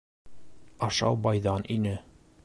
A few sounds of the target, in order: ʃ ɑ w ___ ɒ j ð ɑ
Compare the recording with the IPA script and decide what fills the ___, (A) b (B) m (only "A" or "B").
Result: A